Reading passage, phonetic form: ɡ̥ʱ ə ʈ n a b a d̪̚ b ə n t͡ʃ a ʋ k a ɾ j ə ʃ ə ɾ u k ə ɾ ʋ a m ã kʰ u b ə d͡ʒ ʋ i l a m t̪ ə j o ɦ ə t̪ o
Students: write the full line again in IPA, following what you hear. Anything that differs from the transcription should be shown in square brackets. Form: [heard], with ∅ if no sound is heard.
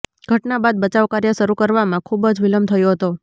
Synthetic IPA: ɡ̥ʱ ə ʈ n a b a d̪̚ b ə [∅] t͡ʃ a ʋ k a ɾ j ə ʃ ə ɾ u k ə ɾ ʋ a m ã kʰ u b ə d͡ʒ ʋ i l [ə] m [t̪ʰ] ə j o ɦ ə t̪ o